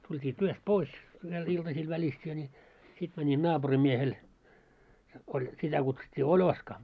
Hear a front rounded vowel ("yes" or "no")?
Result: yes